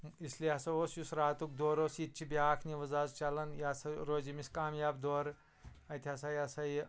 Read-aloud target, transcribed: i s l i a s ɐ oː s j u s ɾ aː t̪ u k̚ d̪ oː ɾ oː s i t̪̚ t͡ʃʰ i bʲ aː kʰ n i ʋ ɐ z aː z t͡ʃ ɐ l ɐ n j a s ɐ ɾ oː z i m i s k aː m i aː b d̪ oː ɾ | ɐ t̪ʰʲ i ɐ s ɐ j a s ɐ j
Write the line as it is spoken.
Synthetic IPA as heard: i s l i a s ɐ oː s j u s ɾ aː t̪ u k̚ d̪ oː ɾ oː s i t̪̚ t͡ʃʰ i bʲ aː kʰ n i ʋ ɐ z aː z t͡ʃ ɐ l ɐ n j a s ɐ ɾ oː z i m i s k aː m j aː b d̪ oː ɾ | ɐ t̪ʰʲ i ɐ s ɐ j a s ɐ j